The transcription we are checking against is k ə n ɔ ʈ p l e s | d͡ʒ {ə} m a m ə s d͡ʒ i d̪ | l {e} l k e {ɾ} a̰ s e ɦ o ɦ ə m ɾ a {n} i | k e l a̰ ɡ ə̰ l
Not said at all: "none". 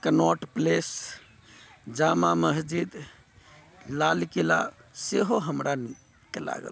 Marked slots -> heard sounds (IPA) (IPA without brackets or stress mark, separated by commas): a, a, l, n